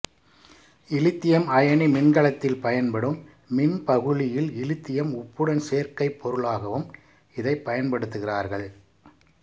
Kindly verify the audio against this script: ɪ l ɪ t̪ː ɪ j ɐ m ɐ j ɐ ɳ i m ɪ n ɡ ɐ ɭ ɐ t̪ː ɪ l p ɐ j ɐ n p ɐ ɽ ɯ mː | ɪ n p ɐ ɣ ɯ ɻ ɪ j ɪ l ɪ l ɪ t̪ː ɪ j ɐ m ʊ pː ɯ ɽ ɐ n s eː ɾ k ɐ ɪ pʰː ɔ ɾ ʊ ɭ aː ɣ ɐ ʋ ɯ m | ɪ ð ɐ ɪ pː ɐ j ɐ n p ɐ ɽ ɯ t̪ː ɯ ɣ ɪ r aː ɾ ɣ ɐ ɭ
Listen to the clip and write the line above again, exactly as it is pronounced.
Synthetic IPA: ɪ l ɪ t̪ː ɪ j ɐ m ɐ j ɐ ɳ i m ɪ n ɡ ɐ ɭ ɐ t̪ː ɪ l p ɐ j ɐ n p ɐ ɽ ɯ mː | ɪ n p ɐ ɣ ɯ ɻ ɪ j ɪ l ɪ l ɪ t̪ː ɪ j ɐ m ʊ pː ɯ ɽ ɐ n s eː ɾ k ɐ ɪ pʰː ɔ ɾ ɯ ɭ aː ɣ ɐ ʋ ɯ m | ɪ ð ɐ ɪ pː ɐ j ɐ n p ɐ ɽ ɯ t̪ː ɯ ɣ ɪ r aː ɾ ɣ ɐ ɭ

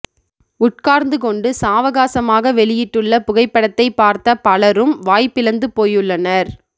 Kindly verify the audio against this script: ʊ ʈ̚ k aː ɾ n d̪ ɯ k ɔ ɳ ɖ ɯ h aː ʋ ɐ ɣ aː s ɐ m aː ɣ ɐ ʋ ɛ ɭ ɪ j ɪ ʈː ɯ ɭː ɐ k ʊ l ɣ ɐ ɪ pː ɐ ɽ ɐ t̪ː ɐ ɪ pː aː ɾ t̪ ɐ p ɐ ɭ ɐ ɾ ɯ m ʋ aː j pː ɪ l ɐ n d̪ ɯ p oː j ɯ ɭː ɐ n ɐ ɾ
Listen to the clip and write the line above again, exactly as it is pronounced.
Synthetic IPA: ʊ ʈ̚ k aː ɾ n d̪ ɯ k ɔ ɳ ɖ ɯ s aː ʋ ɐ ɣ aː s ɐ m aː ɣ ɐ ʋ ɛ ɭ ɪ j ɪ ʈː ɯ ɭː ɐ p ʊ ɣ ɐ ɪ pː ɐ ɽ ɐ t̪ː ɐ ɪ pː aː ɾ t̪ ɐ p ɐ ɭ ɐ ɾ ɯ m ʋ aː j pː ɪ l ɐ n d̪ ɯ p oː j ɯ ɭː ɐ n ɐ ɾ

